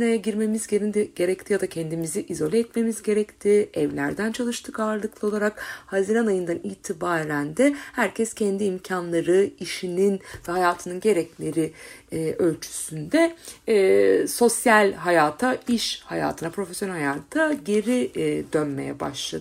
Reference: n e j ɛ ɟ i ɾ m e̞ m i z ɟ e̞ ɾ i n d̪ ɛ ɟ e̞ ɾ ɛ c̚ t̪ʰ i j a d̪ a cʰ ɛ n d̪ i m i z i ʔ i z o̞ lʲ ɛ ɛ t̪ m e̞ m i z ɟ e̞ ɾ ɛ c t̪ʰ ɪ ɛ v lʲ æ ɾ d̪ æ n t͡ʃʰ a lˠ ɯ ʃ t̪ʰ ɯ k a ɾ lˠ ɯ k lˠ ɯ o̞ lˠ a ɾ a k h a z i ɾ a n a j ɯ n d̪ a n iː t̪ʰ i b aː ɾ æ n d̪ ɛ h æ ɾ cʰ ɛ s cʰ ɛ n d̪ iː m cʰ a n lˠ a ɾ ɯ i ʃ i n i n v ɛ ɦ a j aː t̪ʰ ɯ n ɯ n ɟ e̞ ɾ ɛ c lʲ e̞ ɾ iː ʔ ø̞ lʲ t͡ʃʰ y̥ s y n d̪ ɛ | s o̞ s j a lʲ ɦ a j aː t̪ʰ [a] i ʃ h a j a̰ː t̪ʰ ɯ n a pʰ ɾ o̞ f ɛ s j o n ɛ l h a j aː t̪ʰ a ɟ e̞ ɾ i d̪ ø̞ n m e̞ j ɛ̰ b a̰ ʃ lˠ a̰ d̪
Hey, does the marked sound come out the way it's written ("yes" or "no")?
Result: yes